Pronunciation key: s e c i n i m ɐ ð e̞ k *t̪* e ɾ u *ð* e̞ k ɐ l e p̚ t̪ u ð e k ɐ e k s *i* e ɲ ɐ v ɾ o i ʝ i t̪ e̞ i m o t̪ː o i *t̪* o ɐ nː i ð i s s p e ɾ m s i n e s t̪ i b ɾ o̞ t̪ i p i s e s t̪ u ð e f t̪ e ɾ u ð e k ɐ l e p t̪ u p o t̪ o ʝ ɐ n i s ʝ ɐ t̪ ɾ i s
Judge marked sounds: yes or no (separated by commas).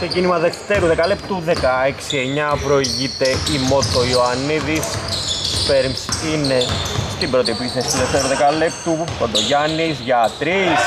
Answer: yes, yes, yes, no